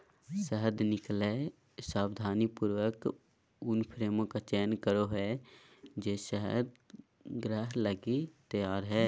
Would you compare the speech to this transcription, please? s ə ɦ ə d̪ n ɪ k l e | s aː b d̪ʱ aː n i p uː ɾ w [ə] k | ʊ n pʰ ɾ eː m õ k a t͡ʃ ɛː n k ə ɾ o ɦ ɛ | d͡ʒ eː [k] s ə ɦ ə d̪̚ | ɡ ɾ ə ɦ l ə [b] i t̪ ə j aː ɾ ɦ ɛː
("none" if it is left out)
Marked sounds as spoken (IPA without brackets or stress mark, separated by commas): ə, none, ɡ